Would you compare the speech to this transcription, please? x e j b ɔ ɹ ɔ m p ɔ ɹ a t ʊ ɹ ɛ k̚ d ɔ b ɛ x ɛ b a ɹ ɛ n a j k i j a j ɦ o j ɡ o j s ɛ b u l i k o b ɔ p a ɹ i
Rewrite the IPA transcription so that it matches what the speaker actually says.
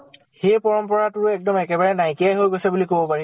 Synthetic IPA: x e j p ɔ ɹ ɔ m p ɔ ɹ a t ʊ ɹ ɛ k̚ d ɔ m ɛ k ɛ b a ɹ ɛ n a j k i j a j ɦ o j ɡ o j s ɛ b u l i k o b ɔ p a ɹ i